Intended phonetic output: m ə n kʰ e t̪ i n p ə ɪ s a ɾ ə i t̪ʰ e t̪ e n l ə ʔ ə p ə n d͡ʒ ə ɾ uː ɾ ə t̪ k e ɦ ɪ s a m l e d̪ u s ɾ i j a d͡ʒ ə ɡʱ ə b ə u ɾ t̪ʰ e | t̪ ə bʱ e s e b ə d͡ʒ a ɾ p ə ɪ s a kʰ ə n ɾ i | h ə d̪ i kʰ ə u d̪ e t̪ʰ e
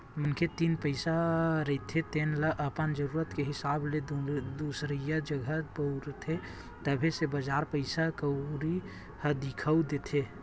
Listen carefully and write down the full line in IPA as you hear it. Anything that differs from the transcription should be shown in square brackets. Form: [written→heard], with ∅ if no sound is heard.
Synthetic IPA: m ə n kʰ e t̪ i n p ə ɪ s a ɾ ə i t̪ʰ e t̪ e n l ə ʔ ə p ə n d͡ʒ ə ɾ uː ɾ ə t̪ k e ɦ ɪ s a [m→b] l e d̪ u s ɾ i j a d͡ʒ ə ɡʱ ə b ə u ɾ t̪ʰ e | t̪ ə bʱ e s e b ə d͡ʒ a ɾ p ə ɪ s a [kʰ→k] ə [n→∅] ɾ i | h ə d̪ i kʰ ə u d̪ e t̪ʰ e